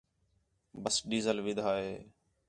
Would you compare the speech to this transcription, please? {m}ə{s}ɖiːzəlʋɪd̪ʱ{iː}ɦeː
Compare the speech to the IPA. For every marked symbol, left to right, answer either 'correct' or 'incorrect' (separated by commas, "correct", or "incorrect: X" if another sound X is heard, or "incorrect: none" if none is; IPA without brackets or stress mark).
incorrect: b, correct, incorrect: aː